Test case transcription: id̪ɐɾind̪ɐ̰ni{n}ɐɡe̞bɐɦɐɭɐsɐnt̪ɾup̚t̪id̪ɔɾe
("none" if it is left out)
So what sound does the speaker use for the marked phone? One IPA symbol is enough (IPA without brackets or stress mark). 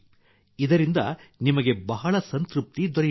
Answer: m